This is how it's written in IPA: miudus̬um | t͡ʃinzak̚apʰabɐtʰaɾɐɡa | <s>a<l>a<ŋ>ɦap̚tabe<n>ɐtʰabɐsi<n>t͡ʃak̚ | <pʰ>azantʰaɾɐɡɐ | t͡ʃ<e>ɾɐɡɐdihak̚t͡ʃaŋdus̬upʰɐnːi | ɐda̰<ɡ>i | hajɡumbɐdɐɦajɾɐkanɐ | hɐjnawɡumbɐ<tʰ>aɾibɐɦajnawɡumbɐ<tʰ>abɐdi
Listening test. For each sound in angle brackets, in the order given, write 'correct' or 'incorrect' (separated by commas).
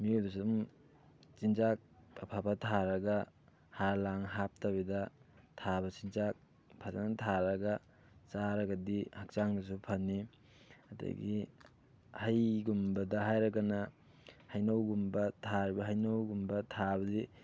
incorrect, correct, correct, incorrect, correct, correct, incorrect, correct, correct, correct